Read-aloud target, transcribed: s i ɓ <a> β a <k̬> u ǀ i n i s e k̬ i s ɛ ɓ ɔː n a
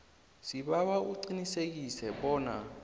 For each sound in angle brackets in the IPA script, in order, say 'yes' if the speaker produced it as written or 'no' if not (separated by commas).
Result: yes, no